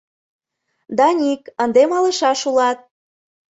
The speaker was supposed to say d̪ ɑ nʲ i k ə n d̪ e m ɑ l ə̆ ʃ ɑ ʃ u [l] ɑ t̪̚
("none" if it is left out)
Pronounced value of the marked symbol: l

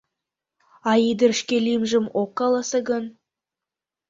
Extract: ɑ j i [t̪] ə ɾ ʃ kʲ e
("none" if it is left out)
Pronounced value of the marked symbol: d̪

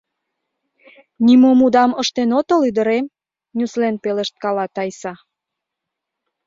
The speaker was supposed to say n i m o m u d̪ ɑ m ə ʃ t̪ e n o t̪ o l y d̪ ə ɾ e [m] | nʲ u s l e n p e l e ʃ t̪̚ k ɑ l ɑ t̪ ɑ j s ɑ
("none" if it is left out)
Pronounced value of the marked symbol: m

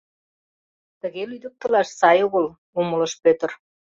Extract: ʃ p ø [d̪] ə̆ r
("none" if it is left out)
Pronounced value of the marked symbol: t̪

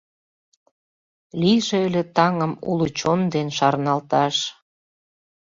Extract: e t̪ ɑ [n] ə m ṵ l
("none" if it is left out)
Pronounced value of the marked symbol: ŋ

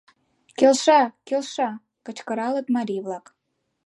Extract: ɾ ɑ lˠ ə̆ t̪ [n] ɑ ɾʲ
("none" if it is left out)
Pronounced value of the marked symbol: m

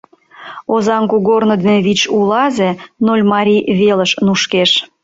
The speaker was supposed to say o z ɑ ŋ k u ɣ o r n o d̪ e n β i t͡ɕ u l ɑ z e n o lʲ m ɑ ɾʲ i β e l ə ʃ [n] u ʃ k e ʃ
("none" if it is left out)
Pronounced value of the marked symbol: n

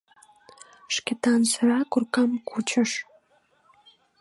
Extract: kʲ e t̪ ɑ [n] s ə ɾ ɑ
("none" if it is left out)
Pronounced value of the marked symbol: n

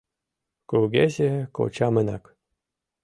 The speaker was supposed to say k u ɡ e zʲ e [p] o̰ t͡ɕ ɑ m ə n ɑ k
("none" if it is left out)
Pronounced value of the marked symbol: k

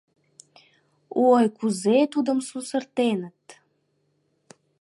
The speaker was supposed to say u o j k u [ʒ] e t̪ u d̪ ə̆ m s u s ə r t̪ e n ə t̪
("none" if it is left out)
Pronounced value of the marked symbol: z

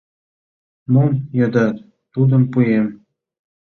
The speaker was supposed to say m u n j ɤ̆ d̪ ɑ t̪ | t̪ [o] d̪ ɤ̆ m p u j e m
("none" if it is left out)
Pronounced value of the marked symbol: u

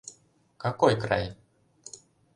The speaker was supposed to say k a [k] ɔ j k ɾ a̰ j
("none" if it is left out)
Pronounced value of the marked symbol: k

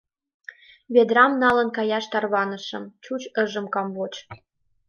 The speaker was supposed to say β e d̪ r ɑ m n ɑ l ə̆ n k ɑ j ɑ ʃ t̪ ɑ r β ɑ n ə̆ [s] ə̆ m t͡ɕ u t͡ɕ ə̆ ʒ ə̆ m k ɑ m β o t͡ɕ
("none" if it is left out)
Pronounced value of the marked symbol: ʃ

